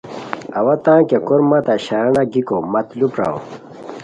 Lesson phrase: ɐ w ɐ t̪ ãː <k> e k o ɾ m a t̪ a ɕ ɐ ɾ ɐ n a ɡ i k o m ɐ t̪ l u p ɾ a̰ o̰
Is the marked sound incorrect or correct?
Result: correct